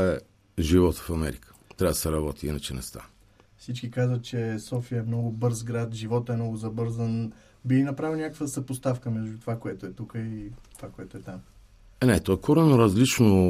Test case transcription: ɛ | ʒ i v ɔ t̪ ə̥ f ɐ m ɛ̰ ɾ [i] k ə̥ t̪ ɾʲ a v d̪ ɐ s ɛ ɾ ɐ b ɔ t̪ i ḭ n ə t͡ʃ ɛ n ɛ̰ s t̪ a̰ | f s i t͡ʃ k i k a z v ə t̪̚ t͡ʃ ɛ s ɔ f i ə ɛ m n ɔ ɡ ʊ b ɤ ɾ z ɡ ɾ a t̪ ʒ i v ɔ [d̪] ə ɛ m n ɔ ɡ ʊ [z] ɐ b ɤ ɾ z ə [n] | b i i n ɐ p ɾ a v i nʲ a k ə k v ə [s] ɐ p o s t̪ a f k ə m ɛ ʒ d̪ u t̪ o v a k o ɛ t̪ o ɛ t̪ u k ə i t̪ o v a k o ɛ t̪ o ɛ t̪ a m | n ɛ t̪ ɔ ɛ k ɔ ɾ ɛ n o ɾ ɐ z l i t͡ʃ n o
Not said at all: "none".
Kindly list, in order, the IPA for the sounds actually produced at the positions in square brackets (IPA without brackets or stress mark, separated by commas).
i, t̪, z, n, s